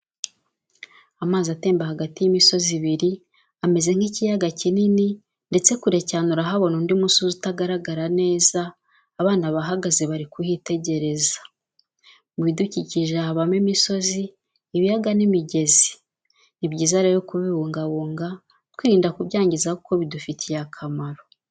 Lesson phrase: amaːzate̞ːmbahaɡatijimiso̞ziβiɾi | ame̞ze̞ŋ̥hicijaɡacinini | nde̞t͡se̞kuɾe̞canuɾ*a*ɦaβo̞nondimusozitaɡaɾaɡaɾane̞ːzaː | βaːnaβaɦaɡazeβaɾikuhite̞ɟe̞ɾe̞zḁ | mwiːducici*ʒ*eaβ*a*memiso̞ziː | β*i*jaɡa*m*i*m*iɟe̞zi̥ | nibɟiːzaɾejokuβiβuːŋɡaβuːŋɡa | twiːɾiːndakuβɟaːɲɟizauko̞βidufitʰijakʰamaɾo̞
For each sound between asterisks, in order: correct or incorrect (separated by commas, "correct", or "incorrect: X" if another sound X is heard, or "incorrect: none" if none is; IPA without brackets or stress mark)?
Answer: correct, correct, correct, correct, incorrect: n, correct